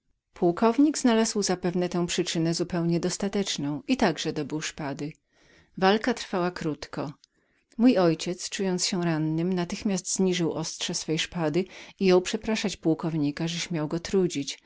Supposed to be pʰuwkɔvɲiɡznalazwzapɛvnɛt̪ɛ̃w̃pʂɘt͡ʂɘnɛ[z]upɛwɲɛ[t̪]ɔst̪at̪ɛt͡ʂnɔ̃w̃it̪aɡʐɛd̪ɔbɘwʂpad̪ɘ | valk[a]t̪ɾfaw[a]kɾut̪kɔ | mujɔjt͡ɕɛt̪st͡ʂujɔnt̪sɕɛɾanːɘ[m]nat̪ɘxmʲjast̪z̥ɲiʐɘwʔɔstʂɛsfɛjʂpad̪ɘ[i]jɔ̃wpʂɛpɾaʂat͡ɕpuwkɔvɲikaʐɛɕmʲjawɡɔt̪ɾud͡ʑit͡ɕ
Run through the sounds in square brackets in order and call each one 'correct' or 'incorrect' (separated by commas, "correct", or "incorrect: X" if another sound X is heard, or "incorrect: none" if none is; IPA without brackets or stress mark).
correct, incorrect: d̪, correct, correct, correct, correct